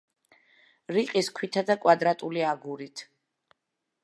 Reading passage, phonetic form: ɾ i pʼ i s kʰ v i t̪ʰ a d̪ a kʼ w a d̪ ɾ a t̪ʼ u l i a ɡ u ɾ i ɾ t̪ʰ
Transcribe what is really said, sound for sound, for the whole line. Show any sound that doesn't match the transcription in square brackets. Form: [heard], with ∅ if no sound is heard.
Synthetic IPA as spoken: ɾ i [qʼ] i s kʰ [w] i t̪ʰ a d̪ a kʼ w a d̪ ɾ a t̪ʼ u l i a ɡ u ɾ i [∅] t̪ʰ